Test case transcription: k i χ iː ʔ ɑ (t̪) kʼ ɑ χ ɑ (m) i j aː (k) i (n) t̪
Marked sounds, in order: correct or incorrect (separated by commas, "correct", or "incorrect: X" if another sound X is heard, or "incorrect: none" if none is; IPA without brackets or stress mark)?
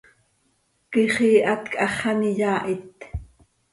correct, incorrect: n, incorrect: ʔ, incorrect: none